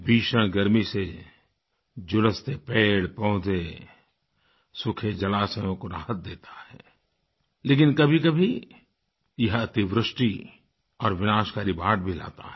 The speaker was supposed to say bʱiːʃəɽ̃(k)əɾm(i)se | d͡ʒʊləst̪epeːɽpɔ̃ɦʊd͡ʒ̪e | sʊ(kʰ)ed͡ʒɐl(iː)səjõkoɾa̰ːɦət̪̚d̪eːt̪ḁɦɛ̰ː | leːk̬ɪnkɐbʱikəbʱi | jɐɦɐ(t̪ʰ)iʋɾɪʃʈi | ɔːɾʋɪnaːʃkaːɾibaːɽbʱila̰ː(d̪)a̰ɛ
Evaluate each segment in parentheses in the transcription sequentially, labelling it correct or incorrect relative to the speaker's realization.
incorrect: ɡ, correct, correct, incorrect: aː, incorrect: t̪, incorrect: t̪

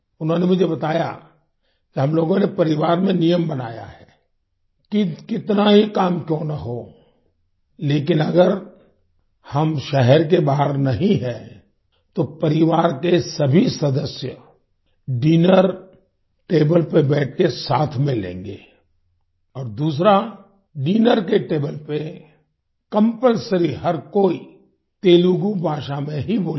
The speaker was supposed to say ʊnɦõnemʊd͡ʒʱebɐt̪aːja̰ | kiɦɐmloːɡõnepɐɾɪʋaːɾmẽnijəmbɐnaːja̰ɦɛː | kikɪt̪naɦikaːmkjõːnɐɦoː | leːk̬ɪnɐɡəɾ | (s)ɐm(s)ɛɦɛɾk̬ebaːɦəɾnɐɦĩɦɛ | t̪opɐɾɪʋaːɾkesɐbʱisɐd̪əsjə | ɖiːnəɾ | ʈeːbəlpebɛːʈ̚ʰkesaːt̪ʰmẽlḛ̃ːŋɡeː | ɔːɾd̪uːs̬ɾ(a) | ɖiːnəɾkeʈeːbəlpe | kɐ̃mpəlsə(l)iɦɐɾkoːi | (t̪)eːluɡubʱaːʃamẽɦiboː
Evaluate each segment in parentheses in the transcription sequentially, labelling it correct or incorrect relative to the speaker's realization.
incorrect: h, incorrect: ʃ, correct, incorrect: ɾ, correct

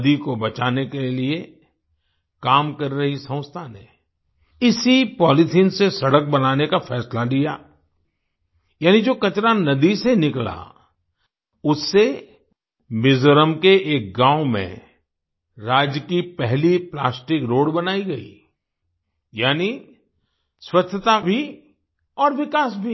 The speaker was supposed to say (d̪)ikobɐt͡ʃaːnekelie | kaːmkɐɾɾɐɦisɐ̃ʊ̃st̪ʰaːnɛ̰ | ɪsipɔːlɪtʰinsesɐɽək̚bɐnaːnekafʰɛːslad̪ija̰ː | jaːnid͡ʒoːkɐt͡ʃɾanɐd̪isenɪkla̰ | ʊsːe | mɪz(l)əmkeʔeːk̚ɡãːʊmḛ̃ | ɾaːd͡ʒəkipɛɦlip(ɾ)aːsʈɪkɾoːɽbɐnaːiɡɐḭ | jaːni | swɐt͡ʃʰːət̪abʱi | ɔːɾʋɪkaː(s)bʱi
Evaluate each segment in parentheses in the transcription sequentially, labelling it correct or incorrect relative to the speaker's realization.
correct, incorrect: ɾ, incorrect: l, correct

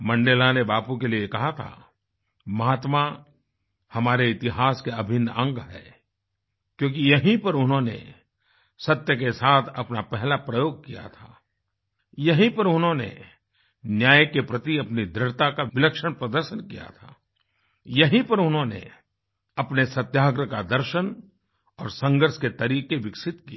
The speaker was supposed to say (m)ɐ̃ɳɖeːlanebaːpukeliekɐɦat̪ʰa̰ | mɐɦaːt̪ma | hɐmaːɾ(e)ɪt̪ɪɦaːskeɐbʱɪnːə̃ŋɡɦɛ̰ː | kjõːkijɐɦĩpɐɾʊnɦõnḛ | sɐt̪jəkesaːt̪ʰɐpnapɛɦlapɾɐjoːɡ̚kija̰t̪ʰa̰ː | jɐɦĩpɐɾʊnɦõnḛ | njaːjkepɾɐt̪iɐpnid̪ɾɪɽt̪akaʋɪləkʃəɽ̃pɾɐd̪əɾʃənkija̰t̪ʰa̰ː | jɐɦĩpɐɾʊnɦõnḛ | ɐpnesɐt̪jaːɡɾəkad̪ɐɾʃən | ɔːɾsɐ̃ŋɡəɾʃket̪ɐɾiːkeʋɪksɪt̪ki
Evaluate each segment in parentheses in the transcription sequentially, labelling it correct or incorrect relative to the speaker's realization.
correct, correct

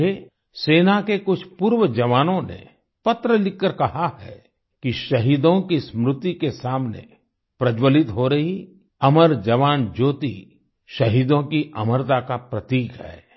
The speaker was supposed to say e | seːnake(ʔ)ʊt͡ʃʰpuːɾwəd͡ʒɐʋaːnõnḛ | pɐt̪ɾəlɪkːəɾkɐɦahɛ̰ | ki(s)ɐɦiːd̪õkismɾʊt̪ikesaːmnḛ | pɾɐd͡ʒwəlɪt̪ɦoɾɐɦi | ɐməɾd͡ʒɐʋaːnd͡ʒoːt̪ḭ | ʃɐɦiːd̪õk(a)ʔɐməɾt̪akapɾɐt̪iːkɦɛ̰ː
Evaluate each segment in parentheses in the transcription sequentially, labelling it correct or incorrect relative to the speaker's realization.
incorrect: k, incorrect: ʃ, incorrect: i

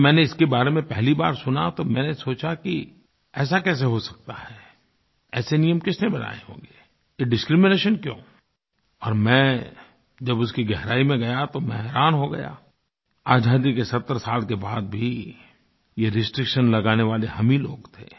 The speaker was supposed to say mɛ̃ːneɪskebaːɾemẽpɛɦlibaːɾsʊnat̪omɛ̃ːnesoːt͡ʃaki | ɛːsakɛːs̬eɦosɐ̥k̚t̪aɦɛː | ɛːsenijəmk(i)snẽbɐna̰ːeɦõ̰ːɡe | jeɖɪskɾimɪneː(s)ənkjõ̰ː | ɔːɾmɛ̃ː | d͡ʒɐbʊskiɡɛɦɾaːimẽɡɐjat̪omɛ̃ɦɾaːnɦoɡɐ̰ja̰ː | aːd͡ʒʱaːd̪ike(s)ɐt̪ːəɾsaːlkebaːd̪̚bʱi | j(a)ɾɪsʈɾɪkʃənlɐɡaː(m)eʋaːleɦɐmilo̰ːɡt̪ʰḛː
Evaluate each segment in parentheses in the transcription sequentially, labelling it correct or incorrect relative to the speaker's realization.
incorrect: ɪ, incorrect: ʃ, correct, incorrect: e, incorrect: n

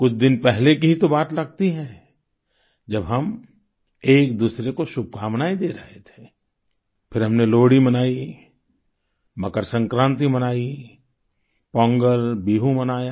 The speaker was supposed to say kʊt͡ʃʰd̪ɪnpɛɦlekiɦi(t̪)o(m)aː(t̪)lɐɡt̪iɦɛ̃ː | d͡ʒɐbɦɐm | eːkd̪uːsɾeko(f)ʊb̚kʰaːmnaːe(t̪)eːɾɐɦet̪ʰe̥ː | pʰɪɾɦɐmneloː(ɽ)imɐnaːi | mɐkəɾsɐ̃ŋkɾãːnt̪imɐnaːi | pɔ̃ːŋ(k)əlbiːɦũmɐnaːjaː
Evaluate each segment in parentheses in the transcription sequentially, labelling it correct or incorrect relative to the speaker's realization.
correct, incorrect: b, correct, incorrect: ʃ, incorrect: d̪, correct, incorrect: ɡ

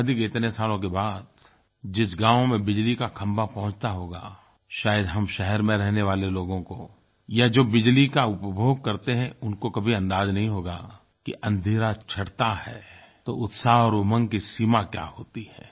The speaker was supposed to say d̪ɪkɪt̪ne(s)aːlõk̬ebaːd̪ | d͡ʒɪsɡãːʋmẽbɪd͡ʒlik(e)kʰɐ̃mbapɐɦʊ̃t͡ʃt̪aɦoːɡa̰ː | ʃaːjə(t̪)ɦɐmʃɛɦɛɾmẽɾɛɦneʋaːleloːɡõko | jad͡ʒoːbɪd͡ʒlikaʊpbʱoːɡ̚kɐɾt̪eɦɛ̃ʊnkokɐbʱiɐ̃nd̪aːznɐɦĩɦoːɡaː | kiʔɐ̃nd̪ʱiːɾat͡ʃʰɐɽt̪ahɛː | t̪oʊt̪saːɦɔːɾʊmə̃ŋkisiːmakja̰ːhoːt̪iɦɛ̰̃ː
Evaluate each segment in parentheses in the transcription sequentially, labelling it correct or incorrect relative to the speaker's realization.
correct, incorrect: a, incorrect: d̪

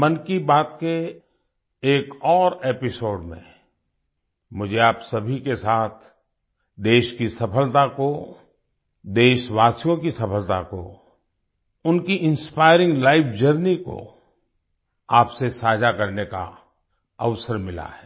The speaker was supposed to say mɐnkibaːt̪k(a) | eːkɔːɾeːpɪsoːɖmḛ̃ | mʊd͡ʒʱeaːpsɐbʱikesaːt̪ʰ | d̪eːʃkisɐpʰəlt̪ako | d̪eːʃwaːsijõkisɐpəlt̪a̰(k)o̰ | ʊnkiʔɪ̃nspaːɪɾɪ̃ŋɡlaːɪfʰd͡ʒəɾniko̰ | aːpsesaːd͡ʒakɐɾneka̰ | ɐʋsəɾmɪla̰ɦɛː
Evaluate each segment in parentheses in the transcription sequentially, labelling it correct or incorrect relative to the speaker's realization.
incorrect: e, correct

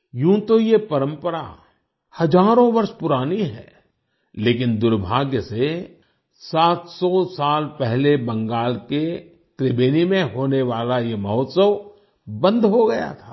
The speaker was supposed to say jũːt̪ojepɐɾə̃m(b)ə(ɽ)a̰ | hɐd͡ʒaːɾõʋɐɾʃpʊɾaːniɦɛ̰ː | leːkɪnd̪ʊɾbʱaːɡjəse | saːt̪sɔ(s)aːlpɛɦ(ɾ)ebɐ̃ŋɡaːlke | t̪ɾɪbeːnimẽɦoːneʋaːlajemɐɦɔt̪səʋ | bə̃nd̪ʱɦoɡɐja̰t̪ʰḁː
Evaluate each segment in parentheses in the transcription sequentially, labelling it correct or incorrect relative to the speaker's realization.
incorrect: p, incorrect: ɾ, correct, incorrect: l

